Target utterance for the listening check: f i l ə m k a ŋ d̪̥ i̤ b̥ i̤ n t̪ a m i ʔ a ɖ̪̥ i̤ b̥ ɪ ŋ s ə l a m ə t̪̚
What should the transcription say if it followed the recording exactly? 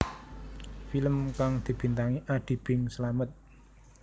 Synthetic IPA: f i l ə m k a ŋ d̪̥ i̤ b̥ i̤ n t̪ a ŋ i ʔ a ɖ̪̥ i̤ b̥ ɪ ŋ s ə l a m ə t̪̚